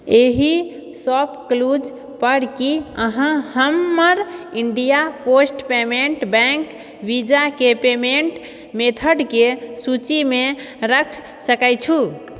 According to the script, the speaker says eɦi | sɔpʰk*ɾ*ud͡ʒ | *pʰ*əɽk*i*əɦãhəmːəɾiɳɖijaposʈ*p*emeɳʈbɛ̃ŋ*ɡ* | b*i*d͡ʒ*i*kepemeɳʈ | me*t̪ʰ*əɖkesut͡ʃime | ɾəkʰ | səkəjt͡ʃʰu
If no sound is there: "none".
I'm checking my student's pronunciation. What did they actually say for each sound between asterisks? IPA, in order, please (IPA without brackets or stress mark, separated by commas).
l, p, i, p, k, i, a, t̪ʰ